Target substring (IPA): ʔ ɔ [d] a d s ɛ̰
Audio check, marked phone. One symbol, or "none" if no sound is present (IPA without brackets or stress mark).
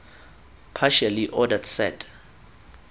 d